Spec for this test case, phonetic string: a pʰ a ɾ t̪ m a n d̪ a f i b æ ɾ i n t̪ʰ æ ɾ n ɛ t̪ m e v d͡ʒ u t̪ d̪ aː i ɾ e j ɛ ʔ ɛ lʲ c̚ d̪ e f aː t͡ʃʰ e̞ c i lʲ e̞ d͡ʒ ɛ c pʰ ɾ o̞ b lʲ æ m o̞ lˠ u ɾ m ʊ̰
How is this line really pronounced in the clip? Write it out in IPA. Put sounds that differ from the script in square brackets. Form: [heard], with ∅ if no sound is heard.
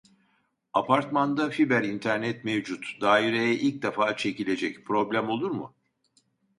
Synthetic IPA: a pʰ a ɾ t̪ m a n d̪ a f i b æ ɾ i n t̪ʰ æ ɾ n ɛ t̪ m e v d͡ʒ u t̪ d̪ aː i ɾ e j ɛ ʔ [i] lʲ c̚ d̪ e f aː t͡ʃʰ e̞ c i lʲ e̞ d͡ʒ ɛ c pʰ ɾ o̞ b lʲ æ m o̞ lˠ u ɾ m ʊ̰